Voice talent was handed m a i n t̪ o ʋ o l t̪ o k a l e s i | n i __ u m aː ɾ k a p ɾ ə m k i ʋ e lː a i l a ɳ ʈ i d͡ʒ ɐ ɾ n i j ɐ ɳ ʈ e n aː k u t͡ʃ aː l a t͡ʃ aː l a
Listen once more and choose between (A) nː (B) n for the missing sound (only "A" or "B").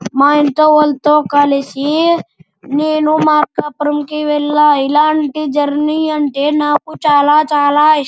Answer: B